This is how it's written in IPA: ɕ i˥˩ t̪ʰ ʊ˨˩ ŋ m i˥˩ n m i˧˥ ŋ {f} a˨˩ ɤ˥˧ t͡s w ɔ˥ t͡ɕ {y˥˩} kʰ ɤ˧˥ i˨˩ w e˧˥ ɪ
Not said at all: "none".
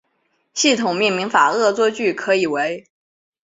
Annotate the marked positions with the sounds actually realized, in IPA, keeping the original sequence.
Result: f, y˥˩

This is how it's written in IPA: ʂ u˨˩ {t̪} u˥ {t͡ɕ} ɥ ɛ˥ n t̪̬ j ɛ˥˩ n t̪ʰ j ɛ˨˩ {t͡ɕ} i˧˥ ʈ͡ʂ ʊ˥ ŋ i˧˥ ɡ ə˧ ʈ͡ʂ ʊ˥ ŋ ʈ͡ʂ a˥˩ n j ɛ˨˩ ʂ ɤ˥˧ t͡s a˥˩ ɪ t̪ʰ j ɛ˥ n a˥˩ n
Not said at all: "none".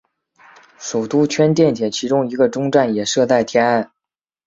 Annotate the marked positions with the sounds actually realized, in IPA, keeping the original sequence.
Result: t̪, t͡ɕʰ, t͡ɕʰ

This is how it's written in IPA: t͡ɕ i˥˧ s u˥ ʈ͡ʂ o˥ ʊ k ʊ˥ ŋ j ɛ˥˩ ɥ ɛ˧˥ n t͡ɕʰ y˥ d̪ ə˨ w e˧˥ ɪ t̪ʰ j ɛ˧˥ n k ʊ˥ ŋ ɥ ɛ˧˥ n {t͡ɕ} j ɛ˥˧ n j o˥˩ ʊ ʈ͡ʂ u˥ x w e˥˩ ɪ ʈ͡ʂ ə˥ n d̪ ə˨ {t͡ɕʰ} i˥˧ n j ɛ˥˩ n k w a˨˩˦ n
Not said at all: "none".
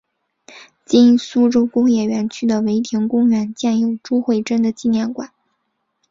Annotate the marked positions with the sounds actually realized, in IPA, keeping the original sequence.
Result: t͡ɕ, t͡ɕ

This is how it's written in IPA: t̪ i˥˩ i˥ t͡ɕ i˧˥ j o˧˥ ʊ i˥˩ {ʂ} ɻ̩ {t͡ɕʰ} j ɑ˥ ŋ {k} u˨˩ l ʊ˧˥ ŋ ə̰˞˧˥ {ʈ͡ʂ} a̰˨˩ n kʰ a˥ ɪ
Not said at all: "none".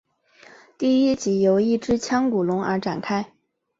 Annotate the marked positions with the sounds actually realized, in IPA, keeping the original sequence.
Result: ʈ͡ʂ, t͡ɕʰ, k, ʈ͡ʂ

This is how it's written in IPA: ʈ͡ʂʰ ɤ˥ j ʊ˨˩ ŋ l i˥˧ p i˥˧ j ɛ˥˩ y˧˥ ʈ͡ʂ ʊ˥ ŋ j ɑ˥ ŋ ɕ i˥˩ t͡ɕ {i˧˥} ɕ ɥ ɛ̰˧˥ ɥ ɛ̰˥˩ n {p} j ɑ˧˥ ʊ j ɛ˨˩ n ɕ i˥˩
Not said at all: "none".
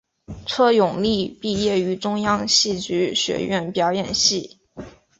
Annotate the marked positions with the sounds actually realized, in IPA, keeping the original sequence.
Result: y˧˥, p

